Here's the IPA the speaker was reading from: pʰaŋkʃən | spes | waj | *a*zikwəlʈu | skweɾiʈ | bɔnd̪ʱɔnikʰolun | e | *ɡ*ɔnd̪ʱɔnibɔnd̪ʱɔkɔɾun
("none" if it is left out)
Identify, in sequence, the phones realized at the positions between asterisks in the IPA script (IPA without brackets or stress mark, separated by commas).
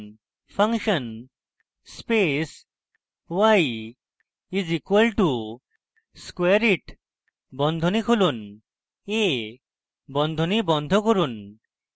i, b